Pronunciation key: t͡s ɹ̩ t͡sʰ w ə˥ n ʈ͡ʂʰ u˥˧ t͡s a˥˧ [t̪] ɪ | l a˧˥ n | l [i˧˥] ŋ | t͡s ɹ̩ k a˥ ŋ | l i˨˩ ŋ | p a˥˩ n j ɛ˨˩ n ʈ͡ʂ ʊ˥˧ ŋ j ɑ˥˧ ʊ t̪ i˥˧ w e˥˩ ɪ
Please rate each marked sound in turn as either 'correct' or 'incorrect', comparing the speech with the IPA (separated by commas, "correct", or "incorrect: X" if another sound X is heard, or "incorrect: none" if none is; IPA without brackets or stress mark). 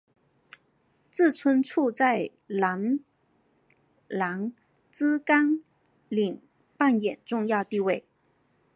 incorrect: none, incorrect: a˧˥